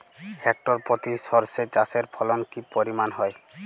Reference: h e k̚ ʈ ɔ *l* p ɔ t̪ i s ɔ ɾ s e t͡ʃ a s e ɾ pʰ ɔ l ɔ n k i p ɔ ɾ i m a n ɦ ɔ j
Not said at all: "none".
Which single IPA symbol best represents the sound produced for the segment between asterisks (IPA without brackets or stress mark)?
ɾ